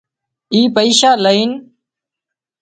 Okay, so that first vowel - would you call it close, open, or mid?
close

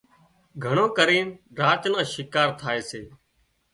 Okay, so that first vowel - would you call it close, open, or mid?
mid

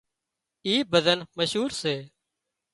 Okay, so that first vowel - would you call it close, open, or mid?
close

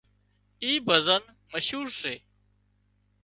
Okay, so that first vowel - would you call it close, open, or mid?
close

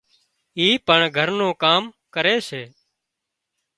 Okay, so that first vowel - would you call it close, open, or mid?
close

